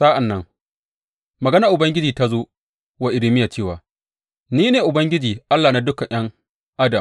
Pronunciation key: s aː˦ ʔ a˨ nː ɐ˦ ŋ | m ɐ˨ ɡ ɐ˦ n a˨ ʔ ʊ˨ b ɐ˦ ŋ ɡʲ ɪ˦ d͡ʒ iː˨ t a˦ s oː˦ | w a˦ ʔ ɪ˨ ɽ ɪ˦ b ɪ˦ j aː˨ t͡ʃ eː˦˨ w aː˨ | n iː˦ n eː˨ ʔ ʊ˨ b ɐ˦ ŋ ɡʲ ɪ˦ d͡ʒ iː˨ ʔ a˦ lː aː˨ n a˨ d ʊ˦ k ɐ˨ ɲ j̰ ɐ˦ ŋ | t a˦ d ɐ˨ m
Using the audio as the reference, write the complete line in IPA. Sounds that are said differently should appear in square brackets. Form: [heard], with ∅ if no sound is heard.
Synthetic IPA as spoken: s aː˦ ʔ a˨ nː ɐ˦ ŋ | m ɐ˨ ɡ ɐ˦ n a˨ ʔ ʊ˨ b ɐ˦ ŋ ɡʲ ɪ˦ d͡ʒ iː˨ t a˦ [z] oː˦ | w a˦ ʔ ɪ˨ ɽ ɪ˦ [m] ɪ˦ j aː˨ t͡ʃ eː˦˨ w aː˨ | n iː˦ n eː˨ ʔ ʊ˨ b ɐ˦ ŋ ɡʲ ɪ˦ d͡ʒ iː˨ ʔ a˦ lː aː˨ n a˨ d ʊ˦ k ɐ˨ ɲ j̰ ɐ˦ ŋ | [ʔ] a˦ d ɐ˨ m